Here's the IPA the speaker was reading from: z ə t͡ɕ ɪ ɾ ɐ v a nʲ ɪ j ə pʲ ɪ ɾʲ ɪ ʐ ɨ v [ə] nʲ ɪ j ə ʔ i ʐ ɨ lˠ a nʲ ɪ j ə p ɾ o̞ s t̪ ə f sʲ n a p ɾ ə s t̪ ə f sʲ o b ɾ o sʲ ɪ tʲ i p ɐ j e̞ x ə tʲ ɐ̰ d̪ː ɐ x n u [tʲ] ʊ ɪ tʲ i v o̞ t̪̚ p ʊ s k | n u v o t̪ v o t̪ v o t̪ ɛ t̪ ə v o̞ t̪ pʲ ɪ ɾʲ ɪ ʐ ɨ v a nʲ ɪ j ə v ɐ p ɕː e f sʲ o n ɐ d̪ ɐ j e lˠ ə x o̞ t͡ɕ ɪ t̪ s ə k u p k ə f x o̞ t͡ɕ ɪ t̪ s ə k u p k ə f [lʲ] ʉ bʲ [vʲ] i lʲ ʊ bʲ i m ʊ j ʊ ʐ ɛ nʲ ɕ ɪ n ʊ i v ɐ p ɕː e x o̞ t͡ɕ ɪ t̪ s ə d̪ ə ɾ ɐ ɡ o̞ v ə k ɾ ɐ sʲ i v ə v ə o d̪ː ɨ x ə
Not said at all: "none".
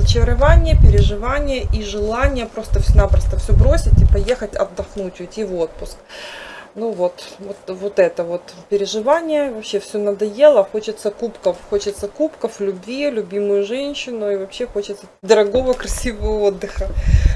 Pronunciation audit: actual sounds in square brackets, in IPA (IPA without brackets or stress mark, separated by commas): a, tʲ, lʲ, vʲ